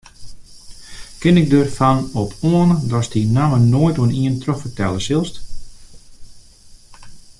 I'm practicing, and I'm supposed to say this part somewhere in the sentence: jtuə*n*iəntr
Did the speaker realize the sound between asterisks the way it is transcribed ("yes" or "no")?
yes